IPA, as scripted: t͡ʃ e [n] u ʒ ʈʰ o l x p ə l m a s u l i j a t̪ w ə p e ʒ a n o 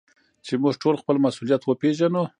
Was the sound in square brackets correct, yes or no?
no